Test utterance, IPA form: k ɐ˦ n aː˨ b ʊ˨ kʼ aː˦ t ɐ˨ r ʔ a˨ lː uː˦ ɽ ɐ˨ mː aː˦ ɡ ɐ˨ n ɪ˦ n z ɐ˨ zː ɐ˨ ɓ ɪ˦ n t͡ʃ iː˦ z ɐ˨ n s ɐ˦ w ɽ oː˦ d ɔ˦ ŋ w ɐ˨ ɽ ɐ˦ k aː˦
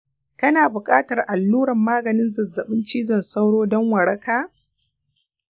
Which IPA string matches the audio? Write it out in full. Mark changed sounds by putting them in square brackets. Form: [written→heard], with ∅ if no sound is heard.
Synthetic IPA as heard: k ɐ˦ n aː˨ b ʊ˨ kʼ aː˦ t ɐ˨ r ʔ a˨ lː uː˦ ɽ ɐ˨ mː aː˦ ɡ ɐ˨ n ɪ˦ n z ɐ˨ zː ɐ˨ ɓ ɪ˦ n t͡ʃ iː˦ z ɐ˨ n s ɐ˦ w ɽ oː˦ d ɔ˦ ŋ w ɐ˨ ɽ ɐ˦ k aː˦